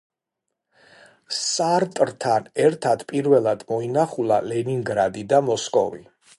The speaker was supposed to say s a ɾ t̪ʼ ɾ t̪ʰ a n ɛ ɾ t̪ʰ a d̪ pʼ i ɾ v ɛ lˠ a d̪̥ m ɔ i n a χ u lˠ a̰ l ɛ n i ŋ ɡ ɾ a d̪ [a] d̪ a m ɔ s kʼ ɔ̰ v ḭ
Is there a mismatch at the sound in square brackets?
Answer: yes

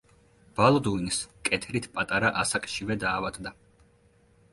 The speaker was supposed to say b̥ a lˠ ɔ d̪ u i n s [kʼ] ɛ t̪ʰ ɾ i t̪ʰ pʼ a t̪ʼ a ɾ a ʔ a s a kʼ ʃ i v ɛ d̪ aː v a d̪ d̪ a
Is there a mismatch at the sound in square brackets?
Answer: no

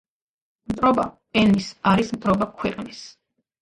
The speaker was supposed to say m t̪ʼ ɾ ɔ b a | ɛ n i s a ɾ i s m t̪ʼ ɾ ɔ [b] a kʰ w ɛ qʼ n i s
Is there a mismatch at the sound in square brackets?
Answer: no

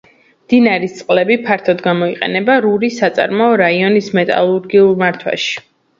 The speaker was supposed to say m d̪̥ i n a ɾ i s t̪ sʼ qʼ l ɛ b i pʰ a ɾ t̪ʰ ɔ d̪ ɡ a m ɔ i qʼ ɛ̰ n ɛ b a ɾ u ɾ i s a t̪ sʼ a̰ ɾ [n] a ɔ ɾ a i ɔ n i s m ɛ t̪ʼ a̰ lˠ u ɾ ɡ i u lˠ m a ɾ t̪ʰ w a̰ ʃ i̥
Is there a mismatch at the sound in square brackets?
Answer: yes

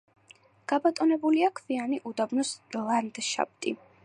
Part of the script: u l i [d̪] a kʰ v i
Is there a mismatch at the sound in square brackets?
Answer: yes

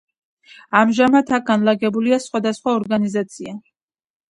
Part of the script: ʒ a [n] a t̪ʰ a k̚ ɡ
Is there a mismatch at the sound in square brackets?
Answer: yes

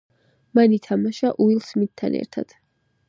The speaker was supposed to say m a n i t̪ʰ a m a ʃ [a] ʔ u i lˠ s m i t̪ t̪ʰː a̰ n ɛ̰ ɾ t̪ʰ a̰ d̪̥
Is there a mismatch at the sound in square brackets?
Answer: no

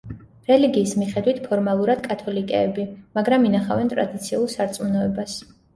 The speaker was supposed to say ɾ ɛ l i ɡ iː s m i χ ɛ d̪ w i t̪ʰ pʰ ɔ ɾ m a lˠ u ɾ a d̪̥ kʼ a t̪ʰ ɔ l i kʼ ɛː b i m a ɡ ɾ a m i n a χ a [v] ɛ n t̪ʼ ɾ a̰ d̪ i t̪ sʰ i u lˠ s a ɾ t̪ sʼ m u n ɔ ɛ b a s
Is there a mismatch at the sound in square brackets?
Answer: no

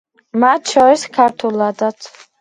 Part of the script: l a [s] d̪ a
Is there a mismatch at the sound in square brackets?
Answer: yes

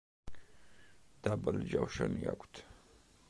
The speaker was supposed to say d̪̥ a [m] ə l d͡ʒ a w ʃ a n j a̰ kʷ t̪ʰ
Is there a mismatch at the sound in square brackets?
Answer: yes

